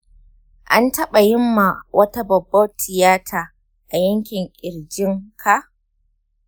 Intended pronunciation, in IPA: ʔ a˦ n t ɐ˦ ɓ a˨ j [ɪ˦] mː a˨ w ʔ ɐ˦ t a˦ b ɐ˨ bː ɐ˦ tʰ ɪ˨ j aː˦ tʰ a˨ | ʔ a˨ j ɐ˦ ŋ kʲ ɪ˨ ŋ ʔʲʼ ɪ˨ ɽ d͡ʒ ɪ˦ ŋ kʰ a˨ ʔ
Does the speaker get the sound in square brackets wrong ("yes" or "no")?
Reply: no